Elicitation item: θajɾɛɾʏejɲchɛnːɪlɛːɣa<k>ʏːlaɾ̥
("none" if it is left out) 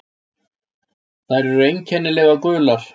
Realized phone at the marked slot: k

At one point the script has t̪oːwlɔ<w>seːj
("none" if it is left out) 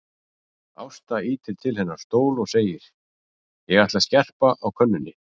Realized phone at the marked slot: ɣ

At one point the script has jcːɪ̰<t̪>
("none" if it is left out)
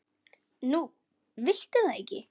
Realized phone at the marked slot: none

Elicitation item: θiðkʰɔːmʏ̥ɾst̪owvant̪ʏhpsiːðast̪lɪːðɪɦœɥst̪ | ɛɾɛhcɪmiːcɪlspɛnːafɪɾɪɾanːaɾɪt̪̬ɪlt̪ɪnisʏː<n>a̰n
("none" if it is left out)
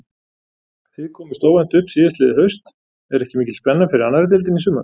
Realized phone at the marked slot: m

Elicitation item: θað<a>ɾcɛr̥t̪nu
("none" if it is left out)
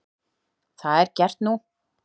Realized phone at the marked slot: ɛ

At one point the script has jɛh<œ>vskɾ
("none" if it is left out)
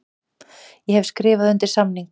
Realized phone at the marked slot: ɛ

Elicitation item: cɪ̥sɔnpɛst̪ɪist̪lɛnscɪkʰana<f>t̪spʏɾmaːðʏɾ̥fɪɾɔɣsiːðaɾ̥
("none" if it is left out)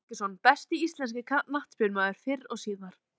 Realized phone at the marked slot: h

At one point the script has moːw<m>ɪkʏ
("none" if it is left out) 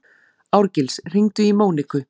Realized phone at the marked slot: n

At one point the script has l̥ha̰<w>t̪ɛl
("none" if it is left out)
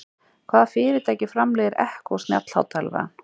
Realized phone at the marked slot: w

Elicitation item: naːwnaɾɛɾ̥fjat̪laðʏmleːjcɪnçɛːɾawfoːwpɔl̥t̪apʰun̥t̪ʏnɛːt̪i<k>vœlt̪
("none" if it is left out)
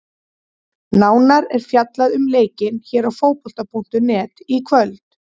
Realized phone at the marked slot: kʰ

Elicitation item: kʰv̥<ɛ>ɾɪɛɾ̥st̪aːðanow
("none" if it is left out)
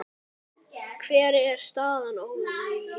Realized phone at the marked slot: ɛː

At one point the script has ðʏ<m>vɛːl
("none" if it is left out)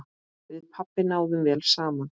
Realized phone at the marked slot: m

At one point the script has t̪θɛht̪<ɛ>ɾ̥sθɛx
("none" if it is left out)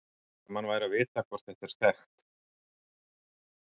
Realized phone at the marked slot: ɛ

